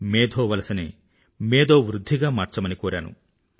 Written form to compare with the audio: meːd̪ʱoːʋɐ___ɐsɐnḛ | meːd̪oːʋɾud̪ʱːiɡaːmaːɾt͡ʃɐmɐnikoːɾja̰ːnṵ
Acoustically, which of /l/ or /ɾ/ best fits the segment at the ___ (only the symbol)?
l